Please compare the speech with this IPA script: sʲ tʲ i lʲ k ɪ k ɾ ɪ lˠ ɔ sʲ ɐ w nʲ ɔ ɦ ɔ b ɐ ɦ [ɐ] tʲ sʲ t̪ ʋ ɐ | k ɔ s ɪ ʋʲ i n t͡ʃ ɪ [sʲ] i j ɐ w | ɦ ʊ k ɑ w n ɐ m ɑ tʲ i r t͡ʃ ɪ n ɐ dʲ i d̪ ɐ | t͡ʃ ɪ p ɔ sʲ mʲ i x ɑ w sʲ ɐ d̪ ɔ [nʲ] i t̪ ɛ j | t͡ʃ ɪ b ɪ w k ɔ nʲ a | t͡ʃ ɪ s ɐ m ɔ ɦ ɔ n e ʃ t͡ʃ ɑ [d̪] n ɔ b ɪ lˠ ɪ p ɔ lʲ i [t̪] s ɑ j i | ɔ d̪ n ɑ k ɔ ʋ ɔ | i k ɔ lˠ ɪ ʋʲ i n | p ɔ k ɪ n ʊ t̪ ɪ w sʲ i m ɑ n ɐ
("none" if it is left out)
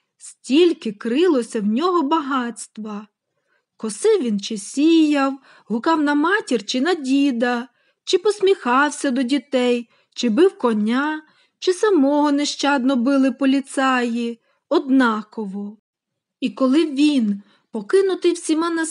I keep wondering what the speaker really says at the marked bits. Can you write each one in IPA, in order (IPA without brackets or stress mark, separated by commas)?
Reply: ɑ, sʲ, dʲ, d̪, t̪